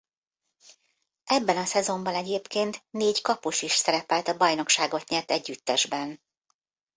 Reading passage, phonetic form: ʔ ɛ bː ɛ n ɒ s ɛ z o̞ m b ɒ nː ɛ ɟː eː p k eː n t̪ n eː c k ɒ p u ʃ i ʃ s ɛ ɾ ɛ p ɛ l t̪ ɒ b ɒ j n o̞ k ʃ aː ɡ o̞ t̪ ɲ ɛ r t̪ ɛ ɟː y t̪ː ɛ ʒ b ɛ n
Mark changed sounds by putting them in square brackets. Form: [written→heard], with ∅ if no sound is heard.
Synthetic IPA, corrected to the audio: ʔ ɛ bː ɛ n ɒ s ɛ z o̞ m b ɒ [nː→n] ɛ [ɟː→ɟ] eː p k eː n t̪ n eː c k ɒ p u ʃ i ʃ s ɛ ɾ ɛ p ɛ l t̪ ɒ b ɒ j n o̞ k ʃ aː ɡ o̞ t̪ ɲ ɛ [r→l] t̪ ɛ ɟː y t̪ː ɛ ʒ b ɛ n